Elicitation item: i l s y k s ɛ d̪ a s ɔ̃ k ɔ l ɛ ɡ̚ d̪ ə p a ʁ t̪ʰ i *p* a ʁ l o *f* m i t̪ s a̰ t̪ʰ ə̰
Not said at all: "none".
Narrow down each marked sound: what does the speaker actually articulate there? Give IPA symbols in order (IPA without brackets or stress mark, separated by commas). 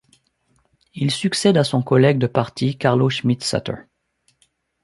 k, ʃ